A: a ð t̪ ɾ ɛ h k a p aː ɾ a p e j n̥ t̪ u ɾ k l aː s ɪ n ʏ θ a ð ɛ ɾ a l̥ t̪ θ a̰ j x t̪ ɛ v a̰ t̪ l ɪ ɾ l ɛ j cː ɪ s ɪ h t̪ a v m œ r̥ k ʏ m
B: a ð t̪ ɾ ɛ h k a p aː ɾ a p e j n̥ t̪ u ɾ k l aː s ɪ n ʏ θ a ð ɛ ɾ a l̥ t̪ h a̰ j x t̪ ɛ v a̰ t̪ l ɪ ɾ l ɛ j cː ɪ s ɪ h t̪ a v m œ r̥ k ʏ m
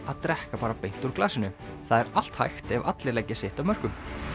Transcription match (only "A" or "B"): B